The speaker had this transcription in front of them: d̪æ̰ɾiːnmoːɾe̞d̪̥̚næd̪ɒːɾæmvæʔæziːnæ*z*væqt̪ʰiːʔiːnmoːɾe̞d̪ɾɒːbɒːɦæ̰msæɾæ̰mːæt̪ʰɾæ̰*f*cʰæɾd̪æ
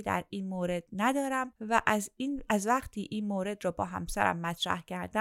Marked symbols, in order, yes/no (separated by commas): yes, no